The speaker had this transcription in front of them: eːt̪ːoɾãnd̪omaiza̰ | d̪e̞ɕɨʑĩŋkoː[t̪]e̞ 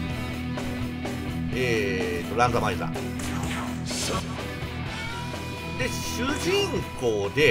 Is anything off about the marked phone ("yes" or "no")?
yes